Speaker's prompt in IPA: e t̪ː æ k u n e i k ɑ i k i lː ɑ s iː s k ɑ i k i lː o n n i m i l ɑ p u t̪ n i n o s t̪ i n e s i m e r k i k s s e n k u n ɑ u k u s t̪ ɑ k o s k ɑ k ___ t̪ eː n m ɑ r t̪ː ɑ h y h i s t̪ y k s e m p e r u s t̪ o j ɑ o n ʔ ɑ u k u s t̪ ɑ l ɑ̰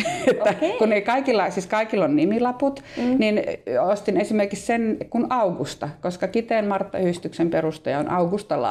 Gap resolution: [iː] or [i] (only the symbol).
i